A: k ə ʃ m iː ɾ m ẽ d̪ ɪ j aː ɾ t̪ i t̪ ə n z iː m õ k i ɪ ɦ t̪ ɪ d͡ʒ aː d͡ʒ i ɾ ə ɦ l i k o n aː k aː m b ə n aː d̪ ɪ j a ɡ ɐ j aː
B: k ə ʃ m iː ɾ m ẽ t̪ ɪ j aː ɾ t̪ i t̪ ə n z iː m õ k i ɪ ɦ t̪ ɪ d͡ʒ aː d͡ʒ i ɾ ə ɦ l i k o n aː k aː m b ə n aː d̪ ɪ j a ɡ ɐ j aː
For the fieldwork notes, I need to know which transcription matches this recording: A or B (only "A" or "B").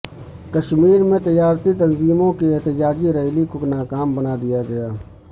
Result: B